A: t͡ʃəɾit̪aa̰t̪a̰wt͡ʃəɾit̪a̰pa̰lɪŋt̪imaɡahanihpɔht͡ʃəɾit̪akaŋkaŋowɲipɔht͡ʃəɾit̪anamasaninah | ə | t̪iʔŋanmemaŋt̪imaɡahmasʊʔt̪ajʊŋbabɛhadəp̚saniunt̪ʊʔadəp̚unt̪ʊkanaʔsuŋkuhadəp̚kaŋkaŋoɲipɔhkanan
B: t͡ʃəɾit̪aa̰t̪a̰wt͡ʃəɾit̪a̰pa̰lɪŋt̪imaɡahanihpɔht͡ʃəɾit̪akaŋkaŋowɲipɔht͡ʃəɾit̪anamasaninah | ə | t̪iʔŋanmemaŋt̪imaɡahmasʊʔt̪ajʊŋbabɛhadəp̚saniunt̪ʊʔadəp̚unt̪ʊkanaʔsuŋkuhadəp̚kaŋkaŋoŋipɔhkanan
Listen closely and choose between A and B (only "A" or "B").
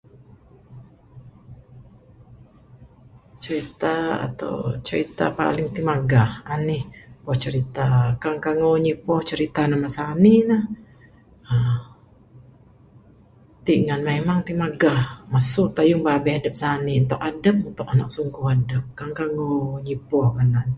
A